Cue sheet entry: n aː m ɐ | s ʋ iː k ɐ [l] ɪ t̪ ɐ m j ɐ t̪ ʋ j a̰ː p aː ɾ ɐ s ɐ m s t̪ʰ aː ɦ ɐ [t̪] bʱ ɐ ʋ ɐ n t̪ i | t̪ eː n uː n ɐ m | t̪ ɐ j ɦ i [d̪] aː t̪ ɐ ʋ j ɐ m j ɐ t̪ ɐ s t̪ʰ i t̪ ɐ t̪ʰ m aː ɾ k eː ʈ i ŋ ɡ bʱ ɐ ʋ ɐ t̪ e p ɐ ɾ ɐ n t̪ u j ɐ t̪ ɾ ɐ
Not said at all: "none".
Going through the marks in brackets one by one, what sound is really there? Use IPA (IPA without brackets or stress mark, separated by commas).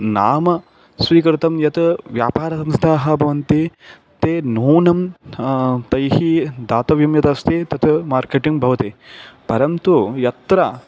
ɾ, none, d̪